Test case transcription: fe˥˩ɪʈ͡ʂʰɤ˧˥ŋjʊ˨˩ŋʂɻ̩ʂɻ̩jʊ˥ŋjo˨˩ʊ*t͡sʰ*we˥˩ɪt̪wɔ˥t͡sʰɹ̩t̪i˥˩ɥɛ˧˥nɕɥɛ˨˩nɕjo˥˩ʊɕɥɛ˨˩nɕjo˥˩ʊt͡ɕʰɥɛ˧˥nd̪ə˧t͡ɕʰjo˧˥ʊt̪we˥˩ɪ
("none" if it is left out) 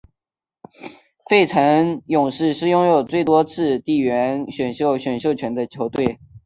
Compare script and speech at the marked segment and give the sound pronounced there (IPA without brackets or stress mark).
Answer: t͡s